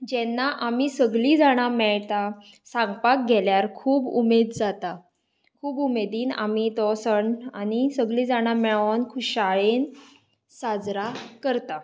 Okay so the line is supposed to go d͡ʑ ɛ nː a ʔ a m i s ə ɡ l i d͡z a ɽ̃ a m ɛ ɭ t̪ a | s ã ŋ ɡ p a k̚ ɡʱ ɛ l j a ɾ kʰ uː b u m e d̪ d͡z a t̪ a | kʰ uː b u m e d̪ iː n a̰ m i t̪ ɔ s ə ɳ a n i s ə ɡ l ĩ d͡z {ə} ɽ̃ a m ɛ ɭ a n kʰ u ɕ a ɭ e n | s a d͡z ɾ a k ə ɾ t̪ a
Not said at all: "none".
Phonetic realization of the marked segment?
a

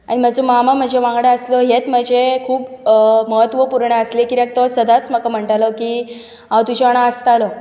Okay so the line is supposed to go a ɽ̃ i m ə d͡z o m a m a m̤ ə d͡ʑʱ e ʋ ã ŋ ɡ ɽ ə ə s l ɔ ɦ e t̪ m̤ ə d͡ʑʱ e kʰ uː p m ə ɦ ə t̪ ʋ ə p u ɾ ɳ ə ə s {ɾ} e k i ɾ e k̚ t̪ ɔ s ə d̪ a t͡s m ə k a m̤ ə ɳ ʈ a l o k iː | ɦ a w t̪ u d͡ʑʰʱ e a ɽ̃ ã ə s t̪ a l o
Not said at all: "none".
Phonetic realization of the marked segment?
l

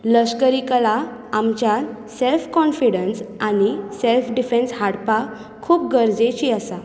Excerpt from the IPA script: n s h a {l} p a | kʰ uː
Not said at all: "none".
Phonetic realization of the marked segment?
ɽ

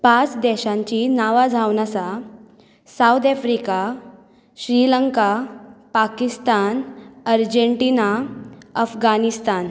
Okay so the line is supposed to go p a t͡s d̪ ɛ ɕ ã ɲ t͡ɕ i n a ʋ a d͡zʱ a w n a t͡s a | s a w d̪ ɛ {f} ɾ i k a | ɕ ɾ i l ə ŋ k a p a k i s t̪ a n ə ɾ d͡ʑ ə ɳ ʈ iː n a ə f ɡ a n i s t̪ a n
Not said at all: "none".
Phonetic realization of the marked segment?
f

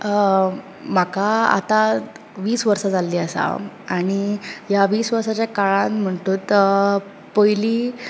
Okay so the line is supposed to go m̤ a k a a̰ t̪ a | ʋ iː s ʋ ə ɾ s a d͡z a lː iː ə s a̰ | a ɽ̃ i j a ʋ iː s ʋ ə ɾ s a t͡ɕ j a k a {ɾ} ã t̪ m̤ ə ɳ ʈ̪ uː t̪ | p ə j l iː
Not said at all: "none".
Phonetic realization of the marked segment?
ɭ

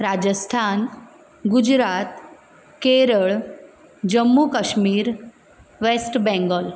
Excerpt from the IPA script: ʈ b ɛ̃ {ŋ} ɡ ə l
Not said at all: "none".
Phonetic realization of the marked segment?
ŋ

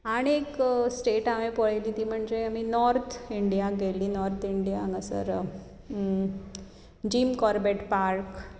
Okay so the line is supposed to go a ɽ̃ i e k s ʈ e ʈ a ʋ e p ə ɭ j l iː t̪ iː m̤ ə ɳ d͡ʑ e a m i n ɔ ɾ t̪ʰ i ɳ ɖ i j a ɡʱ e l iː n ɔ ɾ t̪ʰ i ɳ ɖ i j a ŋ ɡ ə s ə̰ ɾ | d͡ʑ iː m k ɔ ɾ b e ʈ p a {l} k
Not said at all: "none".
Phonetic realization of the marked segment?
ɾ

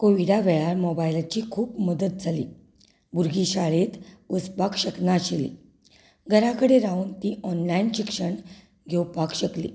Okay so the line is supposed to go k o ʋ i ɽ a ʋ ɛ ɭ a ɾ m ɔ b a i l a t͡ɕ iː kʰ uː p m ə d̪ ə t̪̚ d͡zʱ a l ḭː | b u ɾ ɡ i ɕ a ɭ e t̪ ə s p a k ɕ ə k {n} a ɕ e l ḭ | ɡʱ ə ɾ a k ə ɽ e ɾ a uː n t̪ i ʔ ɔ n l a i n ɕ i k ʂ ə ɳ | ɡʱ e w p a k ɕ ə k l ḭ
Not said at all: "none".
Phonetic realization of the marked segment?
n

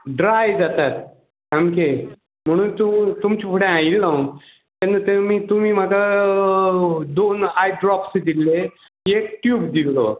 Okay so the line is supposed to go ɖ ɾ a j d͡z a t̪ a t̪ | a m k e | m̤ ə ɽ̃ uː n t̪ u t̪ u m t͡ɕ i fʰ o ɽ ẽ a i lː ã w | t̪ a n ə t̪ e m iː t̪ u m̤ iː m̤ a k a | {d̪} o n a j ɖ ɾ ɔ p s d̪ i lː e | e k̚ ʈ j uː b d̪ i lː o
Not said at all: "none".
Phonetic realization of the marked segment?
d̪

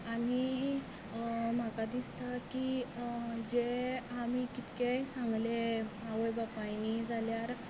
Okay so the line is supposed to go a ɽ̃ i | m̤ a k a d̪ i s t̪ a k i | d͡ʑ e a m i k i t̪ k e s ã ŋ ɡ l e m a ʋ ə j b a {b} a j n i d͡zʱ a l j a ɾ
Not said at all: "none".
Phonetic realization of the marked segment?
p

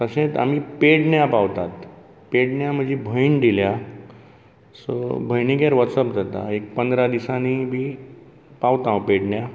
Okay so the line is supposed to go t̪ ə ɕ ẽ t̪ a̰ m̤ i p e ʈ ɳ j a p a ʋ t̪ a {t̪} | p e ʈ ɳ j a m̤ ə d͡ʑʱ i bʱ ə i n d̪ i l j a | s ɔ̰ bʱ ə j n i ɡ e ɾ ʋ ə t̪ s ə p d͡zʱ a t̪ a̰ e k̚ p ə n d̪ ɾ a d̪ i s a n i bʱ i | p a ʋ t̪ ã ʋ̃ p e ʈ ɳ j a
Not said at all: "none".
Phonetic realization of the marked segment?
t̪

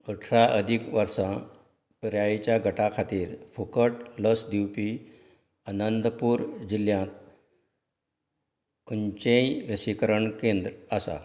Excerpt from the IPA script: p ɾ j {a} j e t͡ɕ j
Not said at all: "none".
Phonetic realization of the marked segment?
a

